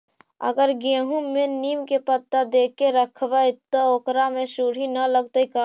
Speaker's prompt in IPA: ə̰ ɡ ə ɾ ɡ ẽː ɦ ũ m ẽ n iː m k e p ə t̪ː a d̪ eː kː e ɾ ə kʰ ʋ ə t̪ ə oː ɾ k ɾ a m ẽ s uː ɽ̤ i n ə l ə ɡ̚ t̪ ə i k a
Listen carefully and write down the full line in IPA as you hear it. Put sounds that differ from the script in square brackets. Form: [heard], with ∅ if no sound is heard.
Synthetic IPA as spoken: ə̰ ɡ ə ɾ ɡ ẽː ɦ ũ m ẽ n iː m k e p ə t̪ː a d̪ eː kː e ɾ ə kʰ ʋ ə t̪ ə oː [∅] k ɾ a m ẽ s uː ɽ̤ i n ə l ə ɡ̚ t̪ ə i k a